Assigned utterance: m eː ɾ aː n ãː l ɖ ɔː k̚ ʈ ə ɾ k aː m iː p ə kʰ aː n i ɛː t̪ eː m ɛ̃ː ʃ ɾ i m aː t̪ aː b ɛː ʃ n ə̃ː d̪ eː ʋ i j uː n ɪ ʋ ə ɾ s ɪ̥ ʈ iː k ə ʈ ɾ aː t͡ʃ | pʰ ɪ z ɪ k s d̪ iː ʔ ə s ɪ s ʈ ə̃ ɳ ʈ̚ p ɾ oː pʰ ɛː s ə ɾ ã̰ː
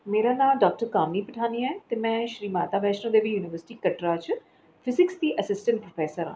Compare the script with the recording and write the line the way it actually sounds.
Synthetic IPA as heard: m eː ɾ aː n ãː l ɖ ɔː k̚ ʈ ə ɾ k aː m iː p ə ʈʰ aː n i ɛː t̪ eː m ɛ̃ː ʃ ɾ iː m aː t̪ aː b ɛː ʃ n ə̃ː d̪ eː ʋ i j uː n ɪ ʋ ə ɾ s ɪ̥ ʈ iː k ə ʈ ɾ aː t͡ʃ | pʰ ɪ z ɪ k s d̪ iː ʔ ə s ɪ s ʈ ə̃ ɳ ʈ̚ p ɾ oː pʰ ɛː s ə ɾ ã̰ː